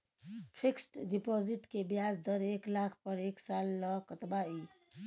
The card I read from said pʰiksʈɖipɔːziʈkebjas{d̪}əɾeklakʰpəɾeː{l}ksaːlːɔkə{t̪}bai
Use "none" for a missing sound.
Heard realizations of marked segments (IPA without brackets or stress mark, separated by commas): d̪, none, t̪